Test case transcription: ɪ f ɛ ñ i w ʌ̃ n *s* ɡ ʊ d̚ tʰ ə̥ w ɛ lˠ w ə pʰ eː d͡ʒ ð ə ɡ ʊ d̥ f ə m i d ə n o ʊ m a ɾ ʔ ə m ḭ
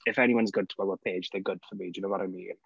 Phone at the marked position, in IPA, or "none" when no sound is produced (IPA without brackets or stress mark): z